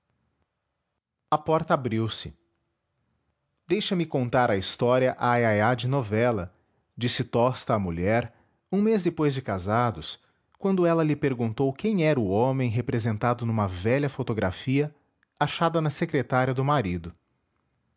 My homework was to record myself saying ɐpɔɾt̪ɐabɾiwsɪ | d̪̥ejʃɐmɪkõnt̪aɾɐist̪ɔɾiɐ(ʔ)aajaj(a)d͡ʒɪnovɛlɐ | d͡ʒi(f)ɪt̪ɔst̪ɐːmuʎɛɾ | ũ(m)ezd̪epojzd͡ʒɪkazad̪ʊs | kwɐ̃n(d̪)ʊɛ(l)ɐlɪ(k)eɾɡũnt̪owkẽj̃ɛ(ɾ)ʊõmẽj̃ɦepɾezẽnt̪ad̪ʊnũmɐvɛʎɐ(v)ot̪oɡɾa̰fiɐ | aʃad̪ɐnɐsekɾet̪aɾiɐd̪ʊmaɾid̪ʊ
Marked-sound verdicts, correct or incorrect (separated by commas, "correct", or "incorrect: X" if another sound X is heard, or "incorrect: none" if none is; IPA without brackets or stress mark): correct, correct, incorrect: s, correct, correct, correct, incorrect: p, correct, incorrect: f